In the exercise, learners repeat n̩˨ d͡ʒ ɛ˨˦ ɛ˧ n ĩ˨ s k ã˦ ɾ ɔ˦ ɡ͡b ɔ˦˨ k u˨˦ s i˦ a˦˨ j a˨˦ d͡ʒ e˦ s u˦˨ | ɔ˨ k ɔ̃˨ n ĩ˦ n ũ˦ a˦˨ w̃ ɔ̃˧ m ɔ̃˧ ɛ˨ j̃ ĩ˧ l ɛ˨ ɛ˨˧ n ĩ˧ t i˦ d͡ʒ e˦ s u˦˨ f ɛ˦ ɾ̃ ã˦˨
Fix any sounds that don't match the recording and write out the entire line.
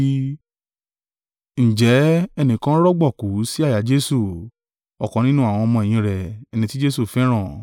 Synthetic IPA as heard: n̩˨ d͡ʒ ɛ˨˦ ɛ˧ n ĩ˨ k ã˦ ɾ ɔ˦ ɡ͡b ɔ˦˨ k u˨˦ s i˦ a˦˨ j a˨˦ d͡ʒ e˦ s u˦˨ | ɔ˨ k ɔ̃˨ n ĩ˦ n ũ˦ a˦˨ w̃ ɔ̃˧ m ɔ̃˧ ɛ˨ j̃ ĩ˧ ɾ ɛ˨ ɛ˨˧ n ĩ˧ t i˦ d͡ʒ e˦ s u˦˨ f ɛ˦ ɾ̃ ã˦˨